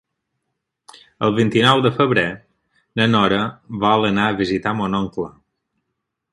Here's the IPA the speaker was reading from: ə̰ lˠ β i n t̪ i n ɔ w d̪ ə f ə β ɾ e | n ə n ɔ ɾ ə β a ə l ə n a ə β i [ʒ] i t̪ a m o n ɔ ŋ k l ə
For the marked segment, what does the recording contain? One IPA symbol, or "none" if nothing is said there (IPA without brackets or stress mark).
z